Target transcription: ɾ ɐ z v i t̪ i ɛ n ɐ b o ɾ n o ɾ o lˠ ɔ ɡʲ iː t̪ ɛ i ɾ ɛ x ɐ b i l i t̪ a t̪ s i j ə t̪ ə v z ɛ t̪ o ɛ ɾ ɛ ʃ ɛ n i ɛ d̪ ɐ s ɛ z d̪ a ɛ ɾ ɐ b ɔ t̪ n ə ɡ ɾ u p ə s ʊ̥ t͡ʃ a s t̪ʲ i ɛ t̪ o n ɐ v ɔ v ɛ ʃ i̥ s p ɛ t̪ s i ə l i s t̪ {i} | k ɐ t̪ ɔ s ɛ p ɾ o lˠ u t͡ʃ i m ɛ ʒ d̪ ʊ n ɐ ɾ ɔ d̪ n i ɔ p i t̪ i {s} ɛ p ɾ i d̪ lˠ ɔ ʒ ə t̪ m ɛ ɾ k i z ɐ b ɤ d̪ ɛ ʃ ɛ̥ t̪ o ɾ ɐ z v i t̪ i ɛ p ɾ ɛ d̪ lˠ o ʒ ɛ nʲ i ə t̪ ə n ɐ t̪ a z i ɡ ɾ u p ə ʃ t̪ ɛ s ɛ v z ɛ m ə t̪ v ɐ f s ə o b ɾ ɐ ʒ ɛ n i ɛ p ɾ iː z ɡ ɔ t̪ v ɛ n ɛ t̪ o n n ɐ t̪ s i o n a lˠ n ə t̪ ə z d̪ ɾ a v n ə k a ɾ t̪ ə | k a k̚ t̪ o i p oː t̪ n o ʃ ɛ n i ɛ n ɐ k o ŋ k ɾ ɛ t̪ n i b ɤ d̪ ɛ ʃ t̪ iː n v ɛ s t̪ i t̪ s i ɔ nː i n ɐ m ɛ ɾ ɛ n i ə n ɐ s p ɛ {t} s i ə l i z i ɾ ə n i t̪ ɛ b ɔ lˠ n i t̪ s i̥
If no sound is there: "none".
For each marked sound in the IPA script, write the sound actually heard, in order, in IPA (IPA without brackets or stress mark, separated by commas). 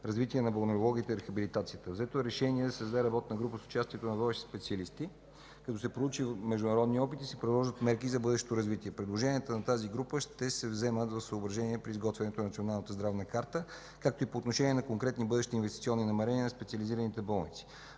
i, s, t